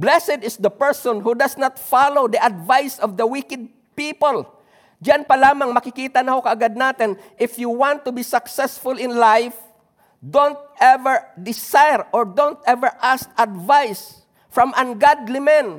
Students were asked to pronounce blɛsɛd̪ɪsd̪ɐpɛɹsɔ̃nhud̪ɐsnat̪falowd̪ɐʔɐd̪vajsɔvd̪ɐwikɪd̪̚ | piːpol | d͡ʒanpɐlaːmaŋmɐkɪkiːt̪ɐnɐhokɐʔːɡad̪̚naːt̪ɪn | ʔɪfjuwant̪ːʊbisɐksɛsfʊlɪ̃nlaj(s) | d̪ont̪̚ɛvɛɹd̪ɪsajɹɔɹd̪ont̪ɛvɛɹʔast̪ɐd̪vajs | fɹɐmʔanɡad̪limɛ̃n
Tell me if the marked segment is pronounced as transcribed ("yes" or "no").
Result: no